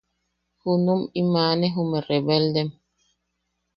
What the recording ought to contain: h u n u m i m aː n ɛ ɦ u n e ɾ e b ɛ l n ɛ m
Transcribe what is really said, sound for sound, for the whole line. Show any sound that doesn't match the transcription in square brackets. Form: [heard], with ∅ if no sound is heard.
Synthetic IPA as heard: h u n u m i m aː n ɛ ɦ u [m] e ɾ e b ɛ l [d] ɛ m